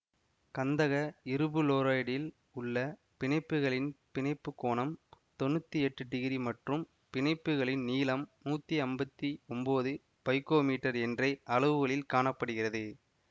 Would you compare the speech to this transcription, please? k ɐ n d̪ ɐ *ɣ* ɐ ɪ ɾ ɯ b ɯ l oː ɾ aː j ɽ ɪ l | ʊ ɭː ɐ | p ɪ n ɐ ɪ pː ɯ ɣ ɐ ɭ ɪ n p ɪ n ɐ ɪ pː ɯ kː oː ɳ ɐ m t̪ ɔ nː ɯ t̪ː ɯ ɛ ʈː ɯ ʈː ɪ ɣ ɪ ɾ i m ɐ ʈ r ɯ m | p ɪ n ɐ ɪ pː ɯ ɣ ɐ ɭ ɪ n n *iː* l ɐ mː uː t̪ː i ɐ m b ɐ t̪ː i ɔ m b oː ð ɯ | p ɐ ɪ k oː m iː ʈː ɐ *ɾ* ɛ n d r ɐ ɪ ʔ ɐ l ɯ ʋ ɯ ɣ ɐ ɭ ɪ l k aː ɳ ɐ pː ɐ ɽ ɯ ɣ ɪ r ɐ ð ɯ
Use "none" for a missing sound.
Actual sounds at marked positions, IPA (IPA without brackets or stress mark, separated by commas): ɣ, iː, ɾ